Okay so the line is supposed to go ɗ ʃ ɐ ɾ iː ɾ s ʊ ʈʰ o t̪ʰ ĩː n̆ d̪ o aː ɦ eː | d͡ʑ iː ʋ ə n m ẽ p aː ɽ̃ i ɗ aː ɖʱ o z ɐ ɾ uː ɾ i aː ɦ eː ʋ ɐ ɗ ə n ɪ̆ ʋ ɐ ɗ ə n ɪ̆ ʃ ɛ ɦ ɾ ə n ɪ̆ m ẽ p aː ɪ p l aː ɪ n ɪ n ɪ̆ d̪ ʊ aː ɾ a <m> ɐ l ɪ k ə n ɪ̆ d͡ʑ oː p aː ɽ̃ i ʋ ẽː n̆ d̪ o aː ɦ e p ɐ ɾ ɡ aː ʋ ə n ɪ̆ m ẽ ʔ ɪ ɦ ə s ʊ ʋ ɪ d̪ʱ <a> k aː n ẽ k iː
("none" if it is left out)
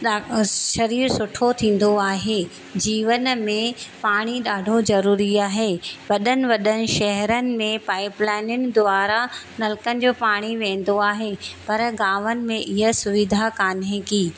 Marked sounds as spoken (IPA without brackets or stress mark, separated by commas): n, a